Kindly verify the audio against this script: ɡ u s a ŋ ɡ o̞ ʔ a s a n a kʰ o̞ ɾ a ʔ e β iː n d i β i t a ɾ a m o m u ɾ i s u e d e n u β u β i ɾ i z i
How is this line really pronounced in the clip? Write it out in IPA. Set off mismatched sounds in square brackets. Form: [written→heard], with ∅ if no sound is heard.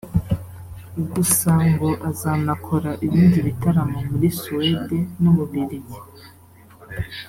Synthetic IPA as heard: ɡ u s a ŋ ɡ o̞ ʔ a [s→z] a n a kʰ o̞ ɾ a ʔ [e→i] β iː n d i β i t a ɾ a m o m u ɾ i s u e d e n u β u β i ɾ i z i